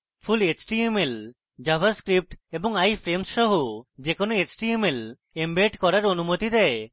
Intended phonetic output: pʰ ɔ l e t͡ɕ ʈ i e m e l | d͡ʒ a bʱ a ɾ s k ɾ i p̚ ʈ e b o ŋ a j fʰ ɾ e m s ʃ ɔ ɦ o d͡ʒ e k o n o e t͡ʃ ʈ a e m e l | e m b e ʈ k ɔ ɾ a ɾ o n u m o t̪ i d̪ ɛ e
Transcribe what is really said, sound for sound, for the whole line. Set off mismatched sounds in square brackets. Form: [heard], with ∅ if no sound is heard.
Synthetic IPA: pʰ [u] l e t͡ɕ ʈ i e m e l | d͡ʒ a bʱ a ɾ s k ɾ i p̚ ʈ e b o ŋ a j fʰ ɾ e m s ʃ ɔ ɦ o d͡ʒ e k o n o e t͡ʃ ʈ [i] e m e l | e m b e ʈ k ɔ ɾ a ɾ o n u m o t̪ i d̪ ɛ e